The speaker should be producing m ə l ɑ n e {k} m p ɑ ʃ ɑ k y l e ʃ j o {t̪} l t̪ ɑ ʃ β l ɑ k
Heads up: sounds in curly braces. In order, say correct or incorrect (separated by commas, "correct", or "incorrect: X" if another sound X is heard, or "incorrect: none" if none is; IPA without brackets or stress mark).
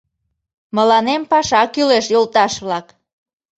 incorrect: none, incorrect: none